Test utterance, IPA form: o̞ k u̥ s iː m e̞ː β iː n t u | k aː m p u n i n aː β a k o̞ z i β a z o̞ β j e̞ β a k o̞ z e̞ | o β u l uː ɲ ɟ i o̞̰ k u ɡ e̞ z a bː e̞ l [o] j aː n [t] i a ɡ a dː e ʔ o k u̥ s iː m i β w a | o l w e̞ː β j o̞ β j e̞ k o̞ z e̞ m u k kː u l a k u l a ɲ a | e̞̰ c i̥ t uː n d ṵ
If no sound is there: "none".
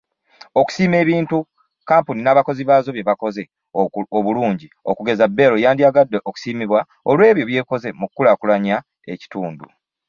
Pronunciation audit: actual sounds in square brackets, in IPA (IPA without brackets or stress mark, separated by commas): o, d